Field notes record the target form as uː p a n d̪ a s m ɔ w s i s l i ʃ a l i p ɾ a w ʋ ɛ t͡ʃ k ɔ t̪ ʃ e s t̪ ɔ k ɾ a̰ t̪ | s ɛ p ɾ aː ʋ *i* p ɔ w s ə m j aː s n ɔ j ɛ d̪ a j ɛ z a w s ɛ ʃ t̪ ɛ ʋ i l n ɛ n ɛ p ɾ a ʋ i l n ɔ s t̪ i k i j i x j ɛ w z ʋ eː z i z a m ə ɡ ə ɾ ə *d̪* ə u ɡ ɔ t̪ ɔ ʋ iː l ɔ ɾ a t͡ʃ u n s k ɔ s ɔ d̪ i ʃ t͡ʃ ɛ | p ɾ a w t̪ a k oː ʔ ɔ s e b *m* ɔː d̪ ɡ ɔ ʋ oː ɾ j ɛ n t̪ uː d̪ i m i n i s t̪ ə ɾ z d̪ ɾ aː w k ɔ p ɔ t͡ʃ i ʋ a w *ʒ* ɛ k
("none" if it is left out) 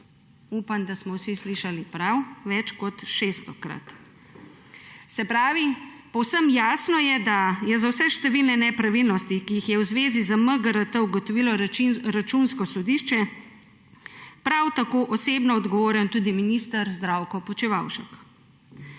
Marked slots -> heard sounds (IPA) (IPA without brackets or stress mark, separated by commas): i, t̪, n, ʃ